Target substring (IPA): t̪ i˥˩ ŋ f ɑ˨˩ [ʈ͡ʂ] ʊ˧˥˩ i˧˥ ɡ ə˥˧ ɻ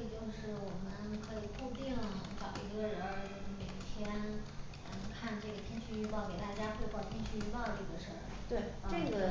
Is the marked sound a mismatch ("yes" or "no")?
yes